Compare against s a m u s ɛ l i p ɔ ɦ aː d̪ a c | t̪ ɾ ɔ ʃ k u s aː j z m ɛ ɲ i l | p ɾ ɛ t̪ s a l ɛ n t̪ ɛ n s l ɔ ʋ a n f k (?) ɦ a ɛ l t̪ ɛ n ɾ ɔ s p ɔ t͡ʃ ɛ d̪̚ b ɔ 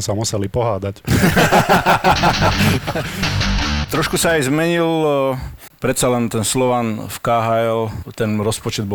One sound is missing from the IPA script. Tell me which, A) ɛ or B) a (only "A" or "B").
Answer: B